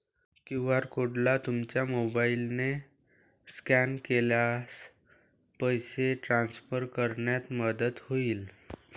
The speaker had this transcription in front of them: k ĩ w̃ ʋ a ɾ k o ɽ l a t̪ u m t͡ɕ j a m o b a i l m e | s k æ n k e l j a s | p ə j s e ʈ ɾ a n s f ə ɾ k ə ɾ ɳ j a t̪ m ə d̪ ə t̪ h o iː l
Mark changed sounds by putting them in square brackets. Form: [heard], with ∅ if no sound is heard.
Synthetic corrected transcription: k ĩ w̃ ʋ a ɾ k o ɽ l a t̪ u m t͡ɕ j a m o b a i l [n] e | s k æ n k e l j a s | p ə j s e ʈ ɾ a n s f ə ɾ k ə ɾ ɳ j a t̪ m ə d̪ ə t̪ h o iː l